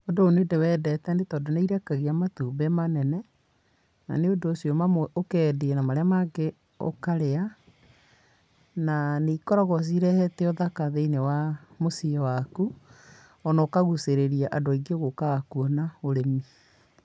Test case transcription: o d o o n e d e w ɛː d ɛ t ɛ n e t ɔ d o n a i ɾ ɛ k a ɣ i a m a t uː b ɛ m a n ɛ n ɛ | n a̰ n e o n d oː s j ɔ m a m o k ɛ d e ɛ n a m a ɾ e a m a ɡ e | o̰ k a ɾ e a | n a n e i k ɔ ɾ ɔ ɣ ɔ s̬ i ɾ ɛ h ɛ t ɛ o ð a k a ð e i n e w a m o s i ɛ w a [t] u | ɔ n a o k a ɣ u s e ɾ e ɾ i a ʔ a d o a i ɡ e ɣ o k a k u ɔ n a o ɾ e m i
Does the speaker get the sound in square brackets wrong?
yes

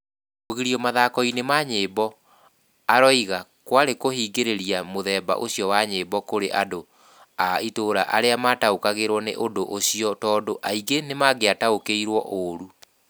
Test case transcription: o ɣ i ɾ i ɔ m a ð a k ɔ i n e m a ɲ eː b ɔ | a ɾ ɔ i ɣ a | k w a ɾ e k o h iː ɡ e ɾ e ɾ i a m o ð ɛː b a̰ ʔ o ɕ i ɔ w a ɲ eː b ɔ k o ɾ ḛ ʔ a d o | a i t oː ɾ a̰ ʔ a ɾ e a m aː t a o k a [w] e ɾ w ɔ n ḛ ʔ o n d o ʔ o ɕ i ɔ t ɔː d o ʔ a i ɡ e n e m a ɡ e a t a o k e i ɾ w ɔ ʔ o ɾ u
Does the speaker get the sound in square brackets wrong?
yes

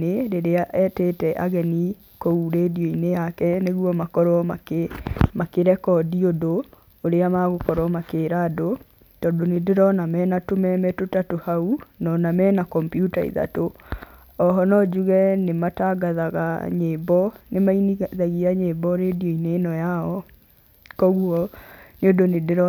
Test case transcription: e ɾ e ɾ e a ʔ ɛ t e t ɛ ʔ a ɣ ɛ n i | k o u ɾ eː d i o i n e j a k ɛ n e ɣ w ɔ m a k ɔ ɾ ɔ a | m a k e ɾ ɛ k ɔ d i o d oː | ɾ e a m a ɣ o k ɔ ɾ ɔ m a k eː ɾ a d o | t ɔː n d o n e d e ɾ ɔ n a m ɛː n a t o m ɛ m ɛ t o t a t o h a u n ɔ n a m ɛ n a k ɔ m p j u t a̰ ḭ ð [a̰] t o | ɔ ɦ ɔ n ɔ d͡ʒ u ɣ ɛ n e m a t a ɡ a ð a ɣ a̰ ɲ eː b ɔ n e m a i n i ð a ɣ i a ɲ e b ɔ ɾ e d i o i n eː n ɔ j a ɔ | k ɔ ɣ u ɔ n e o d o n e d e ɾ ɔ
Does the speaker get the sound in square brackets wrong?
no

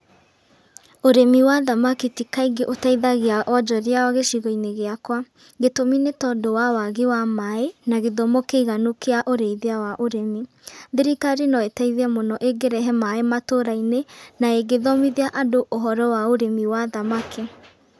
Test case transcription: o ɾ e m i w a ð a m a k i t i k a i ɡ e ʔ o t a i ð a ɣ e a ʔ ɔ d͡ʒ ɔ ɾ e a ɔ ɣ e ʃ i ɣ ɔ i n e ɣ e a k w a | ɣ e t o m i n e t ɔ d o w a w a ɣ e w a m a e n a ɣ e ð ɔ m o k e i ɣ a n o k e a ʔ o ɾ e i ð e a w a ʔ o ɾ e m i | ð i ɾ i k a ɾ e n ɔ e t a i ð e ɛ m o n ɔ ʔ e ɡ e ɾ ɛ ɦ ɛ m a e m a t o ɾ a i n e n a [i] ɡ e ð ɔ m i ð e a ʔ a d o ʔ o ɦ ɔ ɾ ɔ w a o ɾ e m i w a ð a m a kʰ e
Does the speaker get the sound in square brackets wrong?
yes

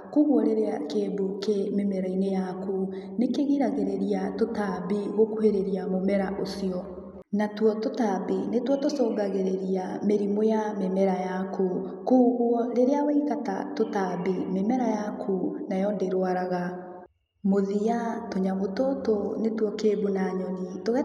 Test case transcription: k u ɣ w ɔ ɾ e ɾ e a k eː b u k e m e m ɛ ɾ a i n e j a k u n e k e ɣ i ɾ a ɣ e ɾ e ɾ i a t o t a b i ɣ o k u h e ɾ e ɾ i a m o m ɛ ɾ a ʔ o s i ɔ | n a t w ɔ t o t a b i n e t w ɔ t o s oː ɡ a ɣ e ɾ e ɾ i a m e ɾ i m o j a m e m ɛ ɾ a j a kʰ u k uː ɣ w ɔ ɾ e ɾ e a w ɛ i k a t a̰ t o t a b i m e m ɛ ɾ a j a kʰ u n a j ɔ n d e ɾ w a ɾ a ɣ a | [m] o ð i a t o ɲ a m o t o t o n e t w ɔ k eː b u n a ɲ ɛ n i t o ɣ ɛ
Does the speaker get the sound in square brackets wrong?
no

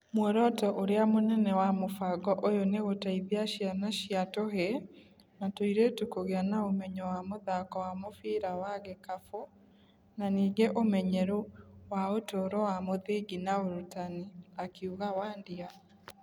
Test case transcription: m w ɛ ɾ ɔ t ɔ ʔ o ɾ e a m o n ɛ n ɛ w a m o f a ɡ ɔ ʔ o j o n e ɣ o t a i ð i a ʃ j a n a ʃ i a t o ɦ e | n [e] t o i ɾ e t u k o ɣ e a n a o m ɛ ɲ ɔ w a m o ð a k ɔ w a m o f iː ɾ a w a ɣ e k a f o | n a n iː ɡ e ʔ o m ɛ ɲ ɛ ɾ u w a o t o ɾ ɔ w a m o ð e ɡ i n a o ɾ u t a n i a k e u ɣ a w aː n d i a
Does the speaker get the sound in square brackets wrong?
yes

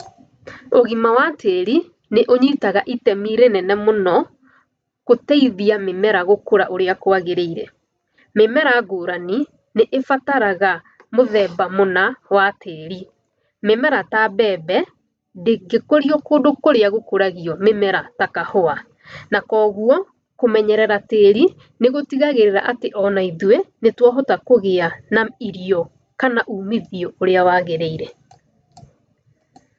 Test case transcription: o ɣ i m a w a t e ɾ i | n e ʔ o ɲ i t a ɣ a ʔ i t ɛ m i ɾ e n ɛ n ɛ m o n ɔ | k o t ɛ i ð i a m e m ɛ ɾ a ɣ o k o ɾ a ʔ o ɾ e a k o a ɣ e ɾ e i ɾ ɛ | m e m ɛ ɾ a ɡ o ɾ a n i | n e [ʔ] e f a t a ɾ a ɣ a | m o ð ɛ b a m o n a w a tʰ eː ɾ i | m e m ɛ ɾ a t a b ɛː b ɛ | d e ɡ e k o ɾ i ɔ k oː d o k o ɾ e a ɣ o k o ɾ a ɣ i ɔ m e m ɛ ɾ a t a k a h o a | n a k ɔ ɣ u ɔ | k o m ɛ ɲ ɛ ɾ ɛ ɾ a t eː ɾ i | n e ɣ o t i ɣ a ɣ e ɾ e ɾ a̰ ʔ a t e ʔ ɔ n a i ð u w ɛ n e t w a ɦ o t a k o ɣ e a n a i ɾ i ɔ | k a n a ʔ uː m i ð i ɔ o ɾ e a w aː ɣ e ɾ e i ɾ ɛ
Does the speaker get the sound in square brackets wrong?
no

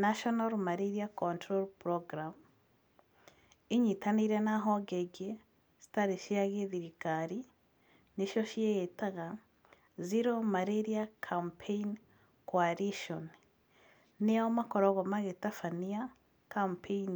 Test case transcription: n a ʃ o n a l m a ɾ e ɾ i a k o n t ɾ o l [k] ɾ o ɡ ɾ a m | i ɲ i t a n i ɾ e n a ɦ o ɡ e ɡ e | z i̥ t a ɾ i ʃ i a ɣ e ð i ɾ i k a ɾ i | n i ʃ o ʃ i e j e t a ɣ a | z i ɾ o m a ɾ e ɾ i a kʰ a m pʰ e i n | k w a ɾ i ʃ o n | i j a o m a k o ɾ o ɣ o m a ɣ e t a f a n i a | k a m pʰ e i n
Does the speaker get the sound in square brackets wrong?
yes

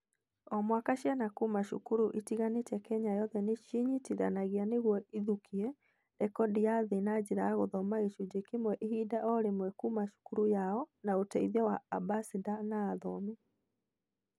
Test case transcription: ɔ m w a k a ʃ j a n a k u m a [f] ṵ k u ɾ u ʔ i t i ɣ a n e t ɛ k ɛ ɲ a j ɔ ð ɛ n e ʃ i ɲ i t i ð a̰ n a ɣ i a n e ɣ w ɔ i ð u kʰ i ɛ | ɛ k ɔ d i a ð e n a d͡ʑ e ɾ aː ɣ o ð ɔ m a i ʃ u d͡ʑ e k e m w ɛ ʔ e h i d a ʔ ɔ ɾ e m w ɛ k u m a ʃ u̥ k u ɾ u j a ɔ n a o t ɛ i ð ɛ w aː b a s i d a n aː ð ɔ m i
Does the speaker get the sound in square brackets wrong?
yes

